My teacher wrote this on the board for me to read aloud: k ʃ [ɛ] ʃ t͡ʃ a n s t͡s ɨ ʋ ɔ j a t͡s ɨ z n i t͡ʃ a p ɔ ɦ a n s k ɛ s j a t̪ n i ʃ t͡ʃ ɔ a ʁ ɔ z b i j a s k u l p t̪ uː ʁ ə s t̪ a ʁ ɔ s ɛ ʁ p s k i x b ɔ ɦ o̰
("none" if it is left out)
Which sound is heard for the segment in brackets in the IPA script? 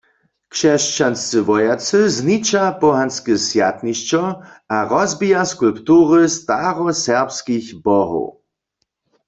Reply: ɛ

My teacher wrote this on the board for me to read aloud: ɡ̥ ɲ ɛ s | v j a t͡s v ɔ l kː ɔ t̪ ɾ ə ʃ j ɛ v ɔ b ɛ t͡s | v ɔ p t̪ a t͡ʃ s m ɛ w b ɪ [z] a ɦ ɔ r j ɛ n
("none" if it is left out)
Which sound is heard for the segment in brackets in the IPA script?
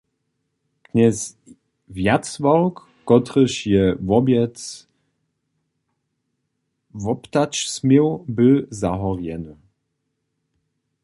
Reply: z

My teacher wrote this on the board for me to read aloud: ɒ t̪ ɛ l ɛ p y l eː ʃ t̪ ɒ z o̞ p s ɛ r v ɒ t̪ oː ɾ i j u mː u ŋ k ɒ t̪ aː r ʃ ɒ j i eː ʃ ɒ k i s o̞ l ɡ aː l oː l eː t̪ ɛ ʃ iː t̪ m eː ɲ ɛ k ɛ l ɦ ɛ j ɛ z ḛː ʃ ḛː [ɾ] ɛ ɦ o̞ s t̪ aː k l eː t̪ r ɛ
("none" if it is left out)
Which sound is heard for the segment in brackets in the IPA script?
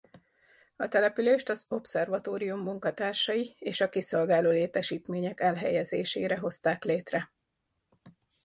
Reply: ɾ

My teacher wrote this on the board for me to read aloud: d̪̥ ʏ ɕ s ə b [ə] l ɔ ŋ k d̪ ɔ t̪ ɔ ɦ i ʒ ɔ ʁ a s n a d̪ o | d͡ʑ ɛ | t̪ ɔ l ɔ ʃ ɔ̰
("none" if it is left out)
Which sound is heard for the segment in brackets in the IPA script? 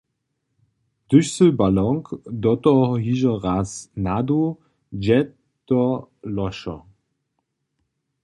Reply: a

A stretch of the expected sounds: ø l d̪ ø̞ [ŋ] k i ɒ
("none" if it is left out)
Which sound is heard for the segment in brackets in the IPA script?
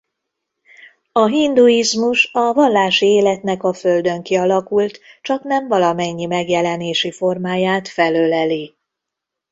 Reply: ŋ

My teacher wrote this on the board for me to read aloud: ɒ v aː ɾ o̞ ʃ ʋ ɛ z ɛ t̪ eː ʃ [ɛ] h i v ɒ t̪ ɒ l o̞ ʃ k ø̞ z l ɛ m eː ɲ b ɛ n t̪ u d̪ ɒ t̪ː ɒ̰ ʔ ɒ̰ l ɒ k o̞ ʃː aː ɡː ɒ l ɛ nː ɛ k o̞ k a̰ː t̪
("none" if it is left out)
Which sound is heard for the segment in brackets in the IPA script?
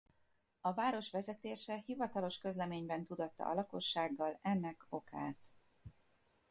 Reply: ɛ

